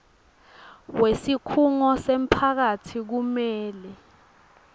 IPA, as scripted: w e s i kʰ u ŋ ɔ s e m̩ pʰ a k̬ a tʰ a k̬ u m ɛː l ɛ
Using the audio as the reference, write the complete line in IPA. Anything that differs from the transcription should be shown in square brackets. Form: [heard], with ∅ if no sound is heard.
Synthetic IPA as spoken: w e s i kʰ u ŋ ɔ s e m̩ pʰ a k̬ a tʰ [i] k̬ u m ɛː l ɛ